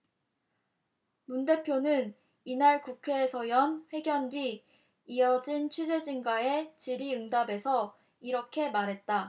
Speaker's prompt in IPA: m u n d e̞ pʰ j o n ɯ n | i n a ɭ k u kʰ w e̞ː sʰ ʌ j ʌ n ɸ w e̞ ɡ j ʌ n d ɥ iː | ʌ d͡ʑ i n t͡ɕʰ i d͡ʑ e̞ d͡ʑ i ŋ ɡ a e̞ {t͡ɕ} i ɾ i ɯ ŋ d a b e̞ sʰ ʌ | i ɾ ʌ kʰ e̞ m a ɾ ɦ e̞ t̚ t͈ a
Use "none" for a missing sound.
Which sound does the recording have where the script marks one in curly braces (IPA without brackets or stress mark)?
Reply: t͡ɕ